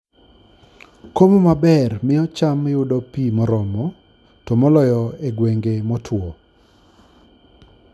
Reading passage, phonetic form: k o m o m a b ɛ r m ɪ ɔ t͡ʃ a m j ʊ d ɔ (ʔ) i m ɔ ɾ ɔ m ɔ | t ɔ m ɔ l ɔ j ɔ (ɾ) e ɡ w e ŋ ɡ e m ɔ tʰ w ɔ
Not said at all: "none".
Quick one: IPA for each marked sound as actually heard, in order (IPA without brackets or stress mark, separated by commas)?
p, none